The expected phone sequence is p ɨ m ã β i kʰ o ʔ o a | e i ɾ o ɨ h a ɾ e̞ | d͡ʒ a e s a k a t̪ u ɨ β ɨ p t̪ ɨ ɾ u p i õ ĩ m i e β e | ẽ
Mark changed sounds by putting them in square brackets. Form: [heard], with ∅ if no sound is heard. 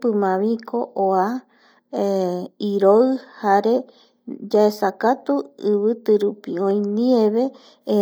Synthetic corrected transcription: p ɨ m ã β i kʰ o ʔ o a | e i ɾ o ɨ h a ɾ e̞ | d͡ʒ a e s a k a t̪ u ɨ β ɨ [∅] t̪ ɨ ɾ u p i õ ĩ [n] i e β e | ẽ

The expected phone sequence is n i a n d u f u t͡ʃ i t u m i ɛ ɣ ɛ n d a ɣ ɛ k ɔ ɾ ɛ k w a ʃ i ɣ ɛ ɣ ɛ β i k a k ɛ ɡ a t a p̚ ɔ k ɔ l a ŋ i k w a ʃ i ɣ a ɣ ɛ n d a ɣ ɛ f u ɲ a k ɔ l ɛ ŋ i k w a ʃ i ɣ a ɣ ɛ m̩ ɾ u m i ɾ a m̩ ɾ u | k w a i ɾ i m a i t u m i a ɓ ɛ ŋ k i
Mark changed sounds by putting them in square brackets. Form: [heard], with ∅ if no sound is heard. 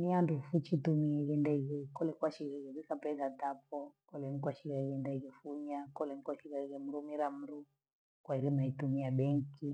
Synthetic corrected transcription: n i a n d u f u t͡ʃ i t u m i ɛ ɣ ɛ n d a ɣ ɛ k ɔ [l] ɛ k w a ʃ i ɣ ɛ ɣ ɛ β i k a [p] ɛ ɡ a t a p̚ ɔ k ɔ l [ɛ] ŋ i k w a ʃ i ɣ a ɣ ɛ n d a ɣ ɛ f u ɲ a k ɔ l ɛ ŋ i k w a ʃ i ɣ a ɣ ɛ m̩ ɾ u m i ɾ a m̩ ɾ u | k w a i ɾ i m a i t u m i a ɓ ɛ ŋ k i

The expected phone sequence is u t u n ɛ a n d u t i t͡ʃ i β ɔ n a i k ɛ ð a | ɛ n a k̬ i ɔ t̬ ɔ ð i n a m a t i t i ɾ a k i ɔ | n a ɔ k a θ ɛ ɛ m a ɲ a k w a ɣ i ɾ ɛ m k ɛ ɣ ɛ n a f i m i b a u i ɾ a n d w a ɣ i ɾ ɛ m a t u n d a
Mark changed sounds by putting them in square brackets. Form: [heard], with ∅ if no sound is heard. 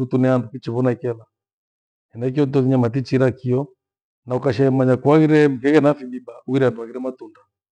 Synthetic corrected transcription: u t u n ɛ a n d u [k] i t͡ʃ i β ɔ n a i k ɛ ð a | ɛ n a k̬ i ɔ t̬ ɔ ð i [ɲ] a m a t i [t͡ʃ] i ɾ a k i ɔ | n a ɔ k a [ʃ] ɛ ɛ m a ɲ a k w a ɣ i ɾ ɛ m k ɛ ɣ ɛ n a f i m i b a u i ɾ a n d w a ɣ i ɾ ɛ m a t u n d a

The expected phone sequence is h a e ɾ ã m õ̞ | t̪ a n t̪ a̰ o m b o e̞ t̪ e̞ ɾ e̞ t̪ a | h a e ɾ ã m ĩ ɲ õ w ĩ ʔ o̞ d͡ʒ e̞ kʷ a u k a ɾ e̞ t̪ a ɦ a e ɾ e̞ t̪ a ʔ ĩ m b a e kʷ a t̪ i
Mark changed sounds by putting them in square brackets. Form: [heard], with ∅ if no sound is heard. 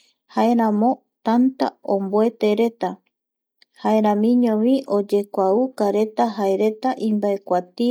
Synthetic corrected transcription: h a e ɾ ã m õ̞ | t̪ a n t̪ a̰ o m b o e̞ t̪ e̞ ɾ e̞ t̪ a | h a e ɾ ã m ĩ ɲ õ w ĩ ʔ o̞ d͡ʒ e̞ kʷ a u k a ɾ e̞ t̪ a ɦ a e ɾ e̞ t̪ a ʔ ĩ m b a e kʷ a t̪ i

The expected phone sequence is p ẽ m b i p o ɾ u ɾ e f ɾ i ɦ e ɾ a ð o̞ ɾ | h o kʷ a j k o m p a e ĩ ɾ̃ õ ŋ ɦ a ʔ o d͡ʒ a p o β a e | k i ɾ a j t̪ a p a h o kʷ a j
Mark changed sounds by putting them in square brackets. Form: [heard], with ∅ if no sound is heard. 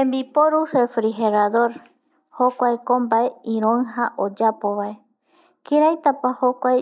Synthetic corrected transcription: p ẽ m b i p o ɾ u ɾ e f ɾ i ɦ e ɾ a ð o̞ ɾ | h o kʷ a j k o m [b] a e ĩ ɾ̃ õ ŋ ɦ a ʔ o d͡ʒ a p o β a e | k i ɾ a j t̪ a p a h o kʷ a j

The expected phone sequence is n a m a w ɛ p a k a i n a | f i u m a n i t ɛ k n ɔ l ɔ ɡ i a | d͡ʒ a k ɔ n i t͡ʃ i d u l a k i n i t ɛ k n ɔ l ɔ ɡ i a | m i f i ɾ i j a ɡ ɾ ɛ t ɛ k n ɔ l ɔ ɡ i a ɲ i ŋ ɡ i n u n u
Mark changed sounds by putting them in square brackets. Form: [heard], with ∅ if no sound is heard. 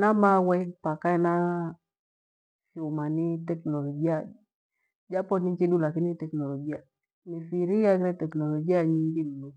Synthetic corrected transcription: n a m a w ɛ p a k a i n a | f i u m a n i t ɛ k n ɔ l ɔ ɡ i a | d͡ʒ a [p] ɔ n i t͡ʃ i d u l a k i n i t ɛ k n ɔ l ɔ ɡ i a | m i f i ɾ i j a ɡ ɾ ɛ t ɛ k n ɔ l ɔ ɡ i a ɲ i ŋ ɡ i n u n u

